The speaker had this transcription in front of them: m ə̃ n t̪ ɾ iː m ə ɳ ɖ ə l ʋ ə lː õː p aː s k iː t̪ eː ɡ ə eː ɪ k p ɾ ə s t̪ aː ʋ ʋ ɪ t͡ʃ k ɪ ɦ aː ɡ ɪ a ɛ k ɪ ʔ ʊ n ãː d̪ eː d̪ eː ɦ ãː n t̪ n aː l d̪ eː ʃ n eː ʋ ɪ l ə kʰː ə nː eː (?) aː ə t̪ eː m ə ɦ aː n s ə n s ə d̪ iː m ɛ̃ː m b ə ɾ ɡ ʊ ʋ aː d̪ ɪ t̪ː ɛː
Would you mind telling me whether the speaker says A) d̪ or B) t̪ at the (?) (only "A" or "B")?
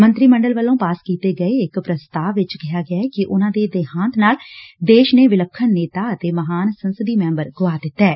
B